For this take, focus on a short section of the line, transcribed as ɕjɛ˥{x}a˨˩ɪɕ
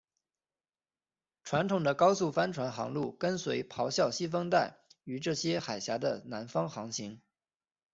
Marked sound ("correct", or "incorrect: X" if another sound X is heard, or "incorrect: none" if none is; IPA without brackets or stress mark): correct